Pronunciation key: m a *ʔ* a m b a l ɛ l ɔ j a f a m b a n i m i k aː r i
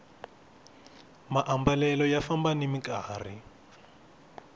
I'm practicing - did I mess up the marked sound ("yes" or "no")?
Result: no